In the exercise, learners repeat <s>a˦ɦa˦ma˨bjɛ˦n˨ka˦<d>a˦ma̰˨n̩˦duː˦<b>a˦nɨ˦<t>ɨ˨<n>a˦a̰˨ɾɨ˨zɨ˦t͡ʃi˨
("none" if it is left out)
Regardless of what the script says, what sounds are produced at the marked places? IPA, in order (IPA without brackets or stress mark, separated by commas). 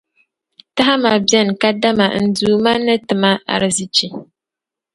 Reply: t, d, m, t, m